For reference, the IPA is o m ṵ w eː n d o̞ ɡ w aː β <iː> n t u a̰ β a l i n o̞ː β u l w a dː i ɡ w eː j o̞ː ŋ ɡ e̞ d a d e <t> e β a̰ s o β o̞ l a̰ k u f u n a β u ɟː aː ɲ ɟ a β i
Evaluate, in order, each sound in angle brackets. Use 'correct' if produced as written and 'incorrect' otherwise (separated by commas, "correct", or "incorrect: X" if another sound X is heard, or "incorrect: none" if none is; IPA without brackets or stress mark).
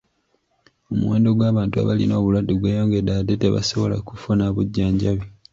incorrect: aː, correct